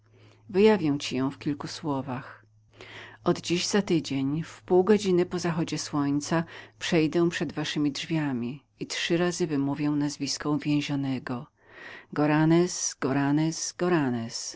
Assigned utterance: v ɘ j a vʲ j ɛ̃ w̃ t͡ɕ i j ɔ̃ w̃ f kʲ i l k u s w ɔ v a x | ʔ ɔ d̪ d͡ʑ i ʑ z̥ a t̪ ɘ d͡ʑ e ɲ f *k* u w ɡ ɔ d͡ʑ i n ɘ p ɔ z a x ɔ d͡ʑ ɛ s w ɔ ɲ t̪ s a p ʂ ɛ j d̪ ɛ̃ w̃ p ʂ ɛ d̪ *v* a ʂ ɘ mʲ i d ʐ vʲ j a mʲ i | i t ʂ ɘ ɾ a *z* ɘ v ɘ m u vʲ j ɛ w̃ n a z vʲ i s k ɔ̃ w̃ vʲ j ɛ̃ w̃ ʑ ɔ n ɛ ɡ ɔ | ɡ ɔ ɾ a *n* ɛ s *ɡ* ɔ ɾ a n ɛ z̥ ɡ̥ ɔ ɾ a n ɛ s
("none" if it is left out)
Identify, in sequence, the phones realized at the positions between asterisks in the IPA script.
p, v, z, n, ɡ

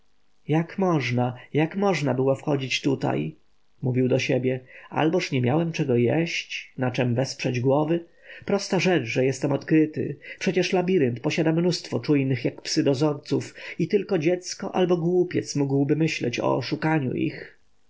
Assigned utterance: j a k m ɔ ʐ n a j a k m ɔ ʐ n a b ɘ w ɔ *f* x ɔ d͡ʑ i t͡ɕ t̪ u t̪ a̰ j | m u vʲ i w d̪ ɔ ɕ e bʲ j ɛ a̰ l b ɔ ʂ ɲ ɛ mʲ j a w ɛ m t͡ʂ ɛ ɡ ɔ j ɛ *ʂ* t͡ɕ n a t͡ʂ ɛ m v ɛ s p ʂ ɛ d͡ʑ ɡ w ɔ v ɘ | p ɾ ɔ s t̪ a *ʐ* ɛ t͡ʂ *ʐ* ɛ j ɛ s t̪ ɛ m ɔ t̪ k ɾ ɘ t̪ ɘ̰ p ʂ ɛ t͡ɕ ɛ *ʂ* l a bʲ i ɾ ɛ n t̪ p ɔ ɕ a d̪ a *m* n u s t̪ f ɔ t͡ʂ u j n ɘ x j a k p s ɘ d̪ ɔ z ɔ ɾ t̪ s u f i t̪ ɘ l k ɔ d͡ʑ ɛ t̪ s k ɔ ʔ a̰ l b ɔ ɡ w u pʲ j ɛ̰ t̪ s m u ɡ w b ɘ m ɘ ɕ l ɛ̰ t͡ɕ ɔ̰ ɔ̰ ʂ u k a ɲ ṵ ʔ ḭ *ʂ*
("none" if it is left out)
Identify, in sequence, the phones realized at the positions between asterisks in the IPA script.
f, ɕ, ʐ, ʐ, ʂ, m, x

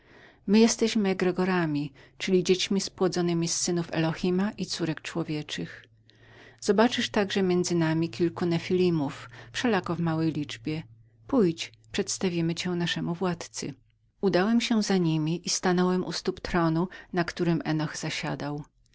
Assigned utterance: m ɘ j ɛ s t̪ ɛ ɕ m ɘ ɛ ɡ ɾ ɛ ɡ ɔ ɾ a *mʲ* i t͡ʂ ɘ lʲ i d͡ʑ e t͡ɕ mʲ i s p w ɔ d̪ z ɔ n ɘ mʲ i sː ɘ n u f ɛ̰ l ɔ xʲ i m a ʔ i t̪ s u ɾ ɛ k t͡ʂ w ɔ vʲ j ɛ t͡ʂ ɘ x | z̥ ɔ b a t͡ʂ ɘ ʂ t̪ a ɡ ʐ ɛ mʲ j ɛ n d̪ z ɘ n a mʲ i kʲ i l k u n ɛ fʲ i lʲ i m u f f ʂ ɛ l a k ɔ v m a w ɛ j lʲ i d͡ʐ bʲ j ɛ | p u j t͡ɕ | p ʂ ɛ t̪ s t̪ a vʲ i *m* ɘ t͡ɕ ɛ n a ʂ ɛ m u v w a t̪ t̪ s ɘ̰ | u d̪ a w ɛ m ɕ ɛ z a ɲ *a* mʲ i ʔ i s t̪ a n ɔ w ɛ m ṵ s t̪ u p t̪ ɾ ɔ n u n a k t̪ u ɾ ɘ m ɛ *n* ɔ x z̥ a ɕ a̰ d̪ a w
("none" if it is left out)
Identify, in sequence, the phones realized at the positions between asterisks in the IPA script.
mʲ, m, i, n

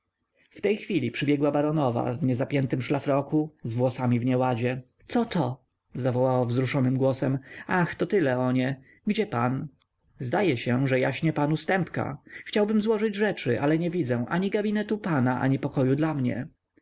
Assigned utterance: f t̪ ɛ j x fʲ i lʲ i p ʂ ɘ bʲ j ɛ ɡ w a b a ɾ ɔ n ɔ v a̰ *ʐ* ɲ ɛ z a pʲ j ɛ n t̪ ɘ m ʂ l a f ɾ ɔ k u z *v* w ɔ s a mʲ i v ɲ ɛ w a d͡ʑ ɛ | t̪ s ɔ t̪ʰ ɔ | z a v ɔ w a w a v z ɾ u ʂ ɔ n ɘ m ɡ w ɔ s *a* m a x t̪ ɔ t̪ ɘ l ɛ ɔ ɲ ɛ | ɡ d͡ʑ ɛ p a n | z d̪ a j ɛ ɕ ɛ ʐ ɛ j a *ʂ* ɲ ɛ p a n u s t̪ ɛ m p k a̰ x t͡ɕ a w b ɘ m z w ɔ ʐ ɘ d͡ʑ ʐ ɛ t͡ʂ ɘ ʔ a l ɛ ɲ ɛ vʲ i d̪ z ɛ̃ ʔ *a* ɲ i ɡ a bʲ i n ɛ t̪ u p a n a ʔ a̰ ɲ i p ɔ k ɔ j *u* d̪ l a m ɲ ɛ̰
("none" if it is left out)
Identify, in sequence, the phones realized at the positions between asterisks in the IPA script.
v, v, ɛ, ɕ, a, u

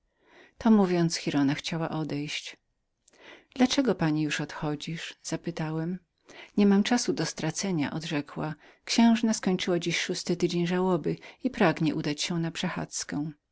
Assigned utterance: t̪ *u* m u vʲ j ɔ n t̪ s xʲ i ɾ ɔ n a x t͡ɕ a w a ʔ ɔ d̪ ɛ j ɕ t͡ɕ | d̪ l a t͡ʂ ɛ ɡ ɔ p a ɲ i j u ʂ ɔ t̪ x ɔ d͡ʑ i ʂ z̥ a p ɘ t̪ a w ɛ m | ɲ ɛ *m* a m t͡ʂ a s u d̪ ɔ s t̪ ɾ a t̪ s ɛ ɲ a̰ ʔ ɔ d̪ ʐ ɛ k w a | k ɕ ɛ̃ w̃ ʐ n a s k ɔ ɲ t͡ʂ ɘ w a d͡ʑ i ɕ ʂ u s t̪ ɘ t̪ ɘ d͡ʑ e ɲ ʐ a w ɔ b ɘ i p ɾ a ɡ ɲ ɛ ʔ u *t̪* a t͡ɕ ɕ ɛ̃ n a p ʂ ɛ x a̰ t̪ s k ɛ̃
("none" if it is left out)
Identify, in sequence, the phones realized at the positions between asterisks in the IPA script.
ɔ, m, d̪

